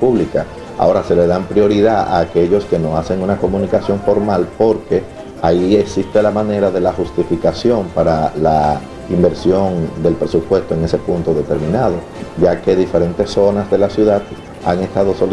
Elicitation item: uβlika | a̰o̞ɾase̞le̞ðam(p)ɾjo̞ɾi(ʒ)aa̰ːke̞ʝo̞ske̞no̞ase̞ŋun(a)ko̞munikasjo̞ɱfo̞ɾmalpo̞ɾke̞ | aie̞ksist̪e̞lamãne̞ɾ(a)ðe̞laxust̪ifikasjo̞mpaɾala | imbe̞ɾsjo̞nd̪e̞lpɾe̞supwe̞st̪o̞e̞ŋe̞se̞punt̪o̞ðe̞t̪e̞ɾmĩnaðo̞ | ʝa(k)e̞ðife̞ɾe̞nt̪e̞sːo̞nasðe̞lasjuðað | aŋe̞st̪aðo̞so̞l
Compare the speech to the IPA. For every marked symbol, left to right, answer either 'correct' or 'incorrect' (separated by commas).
correct, incorrect, correct, correct, correct